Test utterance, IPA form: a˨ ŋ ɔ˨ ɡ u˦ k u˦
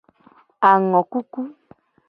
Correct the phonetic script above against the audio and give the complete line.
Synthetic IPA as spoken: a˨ ŋ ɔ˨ k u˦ k u˦